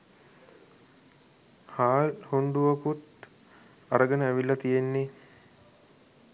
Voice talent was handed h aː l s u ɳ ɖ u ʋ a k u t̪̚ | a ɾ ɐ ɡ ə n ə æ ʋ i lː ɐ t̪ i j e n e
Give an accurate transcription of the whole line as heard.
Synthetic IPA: h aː l h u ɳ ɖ u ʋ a k u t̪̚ | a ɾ ə ɡ ə n ə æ ʋ i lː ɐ t̪ i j e nː e